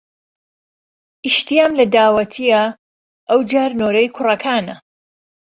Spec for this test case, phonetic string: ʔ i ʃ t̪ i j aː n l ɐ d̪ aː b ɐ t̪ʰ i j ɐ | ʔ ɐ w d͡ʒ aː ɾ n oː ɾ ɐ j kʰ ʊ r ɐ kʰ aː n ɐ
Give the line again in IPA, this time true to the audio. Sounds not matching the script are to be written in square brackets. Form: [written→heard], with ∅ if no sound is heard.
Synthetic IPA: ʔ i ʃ t̪ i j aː [n→m] l ɐ d̪ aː [b→w] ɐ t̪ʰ i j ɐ | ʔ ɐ w d͡ʒ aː ɾ n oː ɾ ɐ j kʰ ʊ r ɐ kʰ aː n ɐ